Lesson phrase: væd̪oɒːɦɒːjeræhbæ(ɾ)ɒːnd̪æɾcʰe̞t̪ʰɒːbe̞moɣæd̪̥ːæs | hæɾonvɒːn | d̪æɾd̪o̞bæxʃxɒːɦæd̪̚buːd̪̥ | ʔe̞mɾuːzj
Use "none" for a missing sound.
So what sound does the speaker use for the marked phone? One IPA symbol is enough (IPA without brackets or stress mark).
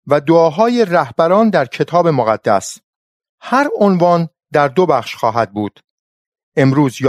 ɾ